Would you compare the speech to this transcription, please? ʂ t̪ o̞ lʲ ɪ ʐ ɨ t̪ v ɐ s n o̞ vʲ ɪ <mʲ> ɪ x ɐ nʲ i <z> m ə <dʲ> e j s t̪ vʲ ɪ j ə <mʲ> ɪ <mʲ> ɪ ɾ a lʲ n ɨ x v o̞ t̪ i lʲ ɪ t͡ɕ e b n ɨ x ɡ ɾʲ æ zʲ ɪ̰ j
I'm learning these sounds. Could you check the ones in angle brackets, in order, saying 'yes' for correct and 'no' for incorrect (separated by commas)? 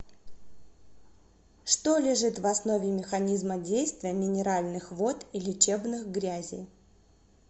yes, yes, yes, yes, no